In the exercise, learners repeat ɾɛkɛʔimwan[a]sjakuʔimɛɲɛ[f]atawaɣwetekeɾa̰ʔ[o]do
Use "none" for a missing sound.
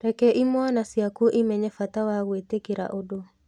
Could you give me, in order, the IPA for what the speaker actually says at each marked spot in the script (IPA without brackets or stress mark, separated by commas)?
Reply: a, f, o